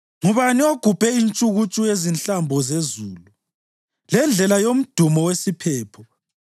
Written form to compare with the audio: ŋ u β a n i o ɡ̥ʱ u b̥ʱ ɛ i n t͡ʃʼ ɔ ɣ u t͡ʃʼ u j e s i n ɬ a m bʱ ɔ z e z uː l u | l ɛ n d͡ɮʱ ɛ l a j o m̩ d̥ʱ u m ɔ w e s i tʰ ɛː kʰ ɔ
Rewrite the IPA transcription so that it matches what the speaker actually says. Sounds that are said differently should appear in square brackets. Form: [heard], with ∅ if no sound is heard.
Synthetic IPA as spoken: ŋ u β a n i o ɡ̥ʱ u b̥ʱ ɛ i n t͡ʃʼ [u] ɣ u t͡ʃʼ u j e [z] i n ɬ a m bʱ ɔ z e z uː l u | l ɛ n d͡ɮʱ ɛ l a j o m̩ d̥ʱ u m ɔ w e s i [pʰ] ɛː [pʰ] ɔ